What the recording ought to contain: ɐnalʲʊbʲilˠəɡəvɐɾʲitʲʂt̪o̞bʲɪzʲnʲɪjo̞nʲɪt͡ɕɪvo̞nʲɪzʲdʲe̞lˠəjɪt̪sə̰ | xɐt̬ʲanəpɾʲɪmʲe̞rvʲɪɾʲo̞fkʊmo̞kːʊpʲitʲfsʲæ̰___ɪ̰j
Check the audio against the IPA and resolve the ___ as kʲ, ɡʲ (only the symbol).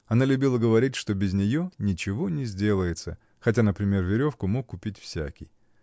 kʲ